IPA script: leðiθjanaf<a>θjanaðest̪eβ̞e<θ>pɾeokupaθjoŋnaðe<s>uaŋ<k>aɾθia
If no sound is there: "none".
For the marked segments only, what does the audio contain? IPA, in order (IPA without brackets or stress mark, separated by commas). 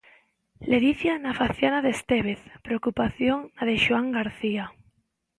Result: a, θ, ʃ, ɡ